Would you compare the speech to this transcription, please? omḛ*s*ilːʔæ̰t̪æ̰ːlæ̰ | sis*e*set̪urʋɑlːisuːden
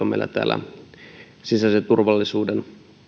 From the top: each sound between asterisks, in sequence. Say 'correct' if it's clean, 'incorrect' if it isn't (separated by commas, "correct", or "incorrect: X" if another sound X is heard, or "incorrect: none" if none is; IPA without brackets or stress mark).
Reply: incorrect: none, incorrect: æ